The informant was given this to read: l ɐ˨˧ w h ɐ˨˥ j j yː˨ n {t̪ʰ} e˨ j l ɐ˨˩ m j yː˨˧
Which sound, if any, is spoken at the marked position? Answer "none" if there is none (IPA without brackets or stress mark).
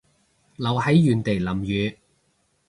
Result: t̪